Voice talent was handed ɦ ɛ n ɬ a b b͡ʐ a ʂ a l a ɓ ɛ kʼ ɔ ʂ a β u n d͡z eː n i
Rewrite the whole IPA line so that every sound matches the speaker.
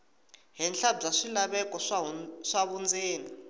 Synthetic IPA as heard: ɦ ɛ n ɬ a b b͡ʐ a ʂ i l a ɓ ɛ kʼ ɔ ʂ a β u n d͡z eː n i